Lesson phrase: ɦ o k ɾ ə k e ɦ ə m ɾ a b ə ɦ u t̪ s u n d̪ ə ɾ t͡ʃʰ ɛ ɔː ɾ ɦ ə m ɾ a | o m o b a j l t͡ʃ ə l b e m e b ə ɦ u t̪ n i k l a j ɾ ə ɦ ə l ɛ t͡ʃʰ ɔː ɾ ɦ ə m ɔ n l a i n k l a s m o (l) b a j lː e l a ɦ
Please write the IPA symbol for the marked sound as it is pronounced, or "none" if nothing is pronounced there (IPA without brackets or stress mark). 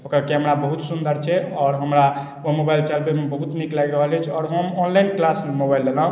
none